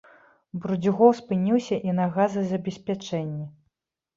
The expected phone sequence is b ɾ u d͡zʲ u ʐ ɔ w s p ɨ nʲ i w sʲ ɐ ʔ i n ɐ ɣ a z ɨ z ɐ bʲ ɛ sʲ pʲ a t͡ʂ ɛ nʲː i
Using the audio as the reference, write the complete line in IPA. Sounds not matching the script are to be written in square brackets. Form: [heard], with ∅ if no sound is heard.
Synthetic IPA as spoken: b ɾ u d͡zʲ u [ɣ] ɔ w s p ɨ nʲ i w sʲ ɐ ʔ i n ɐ ɣ a z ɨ z ɐ bʲ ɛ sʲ pʲ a t͡ʂ ɛ nʲː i